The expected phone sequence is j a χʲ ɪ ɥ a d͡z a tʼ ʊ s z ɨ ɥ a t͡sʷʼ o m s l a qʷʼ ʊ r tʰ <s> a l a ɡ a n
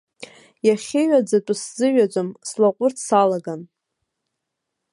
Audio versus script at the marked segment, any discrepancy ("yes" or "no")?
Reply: no